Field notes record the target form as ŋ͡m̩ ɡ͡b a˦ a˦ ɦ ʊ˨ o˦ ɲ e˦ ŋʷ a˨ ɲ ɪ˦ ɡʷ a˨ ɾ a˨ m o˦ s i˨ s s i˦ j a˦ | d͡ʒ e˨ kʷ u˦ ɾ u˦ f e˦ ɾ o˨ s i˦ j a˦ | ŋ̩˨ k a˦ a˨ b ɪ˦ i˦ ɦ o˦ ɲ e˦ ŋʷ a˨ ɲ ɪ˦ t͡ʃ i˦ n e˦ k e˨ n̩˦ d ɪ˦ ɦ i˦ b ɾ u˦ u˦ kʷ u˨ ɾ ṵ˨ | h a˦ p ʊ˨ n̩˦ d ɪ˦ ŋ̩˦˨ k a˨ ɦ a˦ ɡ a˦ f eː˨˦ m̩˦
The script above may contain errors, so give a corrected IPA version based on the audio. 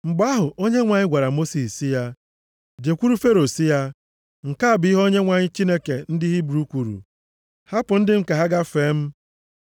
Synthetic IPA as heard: ŋ͡m̩ ɡ͡b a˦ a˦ ɦ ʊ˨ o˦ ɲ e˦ ŋʷ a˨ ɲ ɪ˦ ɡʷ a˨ ɾ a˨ m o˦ s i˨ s s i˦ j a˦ | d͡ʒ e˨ kʷ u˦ ɾ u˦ f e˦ ɾ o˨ s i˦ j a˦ | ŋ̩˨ k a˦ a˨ b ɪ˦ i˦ ɦ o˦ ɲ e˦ ŋʷ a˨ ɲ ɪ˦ t͡ʃ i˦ n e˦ k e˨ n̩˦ d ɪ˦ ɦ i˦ b ɾ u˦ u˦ kʷ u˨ ɾ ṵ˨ | h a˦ p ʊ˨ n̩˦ d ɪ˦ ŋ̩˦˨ k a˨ ɦ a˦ ɡ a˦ f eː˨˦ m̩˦

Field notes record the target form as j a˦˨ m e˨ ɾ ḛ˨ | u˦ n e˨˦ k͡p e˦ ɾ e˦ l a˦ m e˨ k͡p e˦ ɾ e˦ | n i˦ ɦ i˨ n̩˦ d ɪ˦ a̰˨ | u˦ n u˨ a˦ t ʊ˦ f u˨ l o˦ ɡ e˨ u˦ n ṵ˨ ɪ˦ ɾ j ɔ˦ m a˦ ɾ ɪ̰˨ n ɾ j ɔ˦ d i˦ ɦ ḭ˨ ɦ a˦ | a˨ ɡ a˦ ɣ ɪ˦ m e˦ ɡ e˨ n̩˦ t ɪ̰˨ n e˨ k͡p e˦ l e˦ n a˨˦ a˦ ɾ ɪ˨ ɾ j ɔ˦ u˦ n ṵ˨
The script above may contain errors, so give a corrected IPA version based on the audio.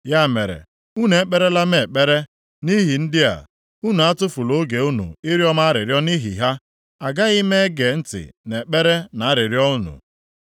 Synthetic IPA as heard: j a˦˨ m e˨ ɾ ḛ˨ | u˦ n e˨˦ k͡p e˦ ɾ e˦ l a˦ m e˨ k͡p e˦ ɾ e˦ | n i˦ ɦ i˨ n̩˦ d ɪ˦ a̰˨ | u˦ n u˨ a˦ t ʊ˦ f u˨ l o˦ ɡ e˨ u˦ n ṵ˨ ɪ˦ ɾ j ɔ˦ m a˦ ɾ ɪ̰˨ ɾ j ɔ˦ n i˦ ɦ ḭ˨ ɦ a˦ | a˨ ɡ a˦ ɣ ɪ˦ m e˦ ɡ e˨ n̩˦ t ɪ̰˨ n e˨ k͡p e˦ ɾ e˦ n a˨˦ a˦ ɾ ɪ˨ ɾ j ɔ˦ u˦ n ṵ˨

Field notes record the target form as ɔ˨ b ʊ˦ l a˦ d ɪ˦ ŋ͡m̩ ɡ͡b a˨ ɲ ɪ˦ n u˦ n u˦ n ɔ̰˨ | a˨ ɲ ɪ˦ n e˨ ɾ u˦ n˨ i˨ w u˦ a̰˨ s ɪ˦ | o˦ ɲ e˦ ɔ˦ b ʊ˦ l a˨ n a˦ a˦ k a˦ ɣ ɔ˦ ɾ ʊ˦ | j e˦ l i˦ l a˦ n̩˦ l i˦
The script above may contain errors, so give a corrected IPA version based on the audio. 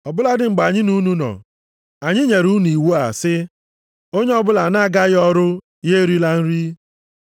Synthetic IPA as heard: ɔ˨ b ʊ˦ l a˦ d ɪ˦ ŋ͡m̩ ɡ͡b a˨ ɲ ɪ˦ n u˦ n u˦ n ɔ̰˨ | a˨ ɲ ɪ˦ ɲ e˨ ɾ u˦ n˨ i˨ w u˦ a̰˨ s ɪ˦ | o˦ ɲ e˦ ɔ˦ b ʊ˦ l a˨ n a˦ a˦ ɡ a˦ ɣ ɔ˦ ɾ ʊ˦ | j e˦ ɾ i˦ l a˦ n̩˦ ɾ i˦

